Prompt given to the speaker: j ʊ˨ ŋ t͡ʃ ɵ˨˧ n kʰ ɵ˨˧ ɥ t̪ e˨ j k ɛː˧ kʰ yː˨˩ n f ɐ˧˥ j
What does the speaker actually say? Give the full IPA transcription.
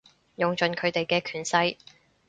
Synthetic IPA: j ʊ˨ ŋ t͡ʃ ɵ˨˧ n kʰ ɵ˨˧ ɥ t̪ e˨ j k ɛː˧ kʰ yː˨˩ n s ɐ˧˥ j